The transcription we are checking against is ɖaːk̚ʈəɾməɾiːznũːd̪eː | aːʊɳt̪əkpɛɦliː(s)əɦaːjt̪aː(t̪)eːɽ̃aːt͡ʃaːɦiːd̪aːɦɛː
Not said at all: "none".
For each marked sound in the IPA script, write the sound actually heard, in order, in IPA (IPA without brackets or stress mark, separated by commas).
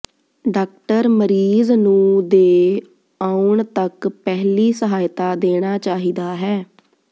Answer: s, d̪